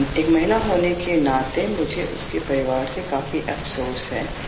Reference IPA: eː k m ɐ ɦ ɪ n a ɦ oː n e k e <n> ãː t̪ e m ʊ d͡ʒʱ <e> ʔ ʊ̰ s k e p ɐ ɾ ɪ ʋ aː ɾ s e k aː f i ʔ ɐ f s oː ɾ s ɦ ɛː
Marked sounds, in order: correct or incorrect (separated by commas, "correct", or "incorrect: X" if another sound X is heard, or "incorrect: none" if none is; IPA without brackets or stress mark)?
correct, correct